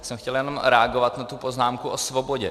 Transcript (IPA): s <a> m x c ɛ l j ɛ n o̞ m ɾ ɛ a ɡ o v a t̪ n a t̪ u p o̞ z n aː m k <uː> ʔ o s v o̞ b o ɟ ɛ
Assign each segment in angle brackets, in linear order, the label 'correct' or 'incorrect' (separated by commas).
incorrect, incorrect